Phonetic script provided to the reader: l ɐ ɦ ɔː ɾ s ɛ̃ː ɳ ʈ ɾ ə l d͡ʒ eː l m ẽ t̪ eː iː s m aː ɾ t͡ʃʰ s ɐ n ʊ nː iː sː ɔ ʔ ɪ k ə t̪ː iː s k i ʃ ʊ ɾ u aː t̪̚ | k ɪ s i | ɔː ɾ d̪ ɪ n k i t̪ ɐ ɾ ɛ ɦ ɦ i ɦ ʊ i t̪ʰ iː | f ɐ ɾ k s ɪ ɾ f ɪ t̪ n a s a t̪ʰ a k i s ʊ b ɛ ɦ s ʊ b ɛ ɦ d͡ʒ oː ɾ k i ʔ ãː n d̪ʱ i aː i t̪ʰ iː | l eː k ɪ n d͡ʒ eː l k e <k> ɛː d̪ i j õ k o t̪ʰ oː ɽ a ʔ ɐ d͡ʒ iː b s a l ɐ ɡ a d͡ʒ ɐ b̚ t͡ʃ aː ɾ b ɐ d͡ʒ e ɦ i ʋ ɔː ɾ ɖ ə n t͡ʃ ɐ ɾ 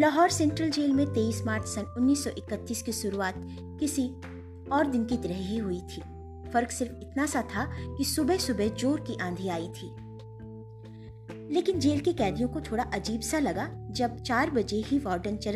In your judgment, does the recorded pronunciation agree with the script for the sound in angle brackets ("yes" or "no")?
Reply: yes